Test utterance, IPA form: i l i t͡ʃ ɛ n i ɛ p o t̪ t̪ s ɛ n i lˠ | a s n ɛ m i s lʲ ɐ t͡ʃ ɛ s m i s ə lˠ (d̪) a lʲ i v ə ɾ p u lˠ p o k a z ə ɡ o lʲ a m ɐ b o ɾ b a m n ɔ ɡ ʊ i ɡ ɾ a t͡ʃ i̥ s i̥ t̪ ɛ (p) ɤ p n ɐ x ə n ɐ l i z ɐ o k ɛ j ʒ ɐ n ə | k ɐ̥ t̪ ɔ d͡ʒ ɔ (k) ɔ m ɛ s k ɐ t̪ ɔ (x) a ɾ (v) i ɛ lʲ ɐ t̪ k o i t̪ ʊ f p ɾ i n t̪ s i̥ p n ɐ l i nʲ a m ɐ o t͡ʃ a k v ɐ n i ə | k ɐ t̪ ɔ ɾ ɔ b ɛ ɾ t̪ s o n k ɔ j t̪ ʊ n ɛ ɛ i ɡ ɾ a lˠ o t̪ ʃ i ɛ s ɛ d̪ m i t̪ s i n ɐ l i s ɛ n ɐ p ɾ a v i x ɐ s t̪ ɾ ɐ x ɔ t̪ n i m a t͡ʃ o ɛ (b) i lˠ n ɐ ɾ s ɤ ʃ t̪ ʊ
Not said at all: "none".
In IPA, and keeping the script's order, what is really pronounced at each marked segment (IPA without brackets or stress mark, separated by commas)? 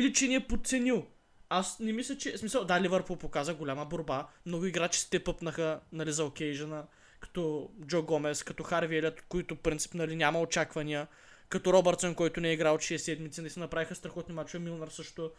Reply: d̪, p, ɡ, x, v, m